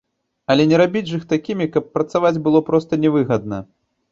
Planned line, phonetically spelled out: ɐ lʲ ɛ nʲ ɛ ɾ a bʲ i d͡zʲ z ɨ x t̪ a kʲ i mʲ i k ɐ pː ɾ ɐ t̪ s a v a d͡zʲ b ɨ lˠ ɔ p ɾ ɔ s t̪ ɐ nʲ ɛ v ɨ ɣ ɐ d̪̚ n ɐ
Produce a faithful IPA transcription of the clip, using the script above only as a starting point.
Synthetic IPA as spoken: ɐ lʲ ɛ nʲ ɛ ɾ a bʲ i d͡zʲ ʐ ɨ x t̪ a kʲ i mʲ i k ɐ pː ɾ ɐ t̪ s a v a d͡zʲ b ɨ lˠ ɔ p ɾ ɔ s t̪ ɐ nʲ ɛ v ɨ ɣ ɐ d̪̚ n ɐ